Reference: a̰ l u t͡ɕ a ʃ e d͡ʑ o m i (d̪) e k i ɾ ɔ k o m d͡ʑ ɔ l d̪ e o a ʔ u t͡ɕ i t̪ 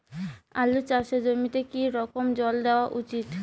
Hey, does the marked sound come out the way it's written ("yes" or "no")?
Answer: no